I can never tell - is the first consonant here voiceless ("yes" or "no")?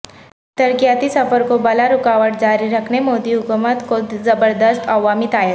yes